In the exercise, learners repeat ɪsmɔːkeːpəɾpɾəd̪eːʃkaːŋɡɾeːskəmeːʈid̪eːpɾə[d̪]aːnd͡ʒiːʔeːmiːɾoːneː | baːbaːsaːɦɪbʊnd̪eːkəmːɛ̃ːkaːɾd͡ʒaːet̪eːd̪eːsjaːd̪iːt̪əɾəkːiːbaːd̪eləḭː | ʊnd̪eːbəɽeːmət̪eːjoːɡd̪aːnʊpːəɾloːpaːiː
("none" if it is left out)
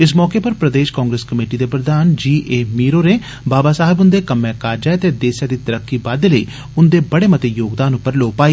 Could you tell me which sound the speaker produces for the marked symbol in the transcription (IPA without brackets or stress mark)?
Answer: d̪